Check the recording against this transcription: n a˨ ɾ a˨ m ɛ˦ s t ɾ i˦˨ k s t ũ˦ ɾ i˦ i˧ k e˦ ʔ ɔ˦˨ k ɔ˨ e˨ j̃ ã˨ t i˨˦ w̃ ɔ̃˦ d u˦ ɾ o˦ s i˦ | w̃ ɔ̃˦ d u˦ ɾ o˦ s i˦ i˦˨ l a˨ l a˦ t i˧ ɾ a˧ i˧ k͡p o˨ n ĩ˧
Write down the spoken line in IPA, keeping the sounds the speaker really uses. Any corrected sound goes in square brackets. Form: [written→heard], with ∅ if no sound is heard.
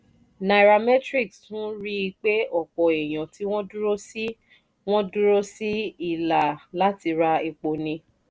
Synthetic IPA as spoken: n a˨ ɾ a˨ m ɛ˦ [s→∅] t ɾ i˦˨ k s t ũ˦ ɾ i˦ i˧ [k→k͡p] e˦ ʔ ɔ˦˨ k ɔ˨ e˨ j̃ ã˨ t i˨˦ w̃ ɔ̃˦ d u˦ ɾ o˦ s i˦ | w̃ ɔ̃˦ d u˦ ɾ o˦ s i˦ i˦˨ l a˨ l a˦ t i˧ ɾ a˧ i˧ k͡p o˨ n ĩ˧